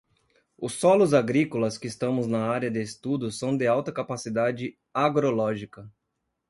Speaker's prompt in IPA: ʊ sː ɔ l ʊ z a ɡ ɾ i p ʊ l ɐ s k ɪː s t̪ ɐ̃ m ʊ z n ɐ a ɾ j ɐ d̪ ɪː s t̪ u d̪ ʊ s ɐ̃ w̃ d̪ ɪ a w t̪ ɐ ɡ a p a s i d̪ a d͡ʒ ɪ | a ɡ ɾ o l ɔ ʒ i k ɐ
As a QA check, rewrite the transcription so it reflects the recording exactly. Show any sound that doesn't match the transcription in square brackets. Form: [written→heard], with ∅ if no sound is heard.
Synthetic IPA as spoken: ʊ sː ɔ l ʊ z a ɡ ɾ i [p→k] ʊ l ɐ s k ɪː s t̪ ɐ̃ m ʊ z n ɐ a ɾ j ɐ d̪ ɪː s t̪ u d̪ ʊ s ɐ̃ w̃ d̪ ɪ a w t̪ ɐ [ɡ→k] a p a s i d̪ a d͡ʒ ɪ | a ɡ ɾ o l ɔ ʒ i k ɐ